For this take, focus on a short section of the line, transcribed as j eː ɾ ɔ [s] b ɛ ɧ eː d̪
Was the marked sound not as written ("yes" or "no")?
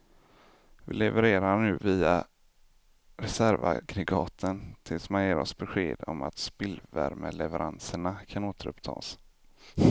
no